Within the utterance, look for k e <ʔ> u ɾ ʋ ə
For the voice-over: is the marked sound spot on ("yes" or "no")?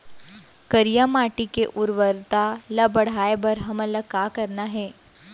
yes